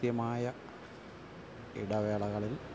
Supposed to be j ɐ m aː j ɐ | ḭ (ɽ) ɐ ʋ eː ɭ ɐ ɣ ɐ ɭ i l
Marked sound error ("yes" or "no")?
no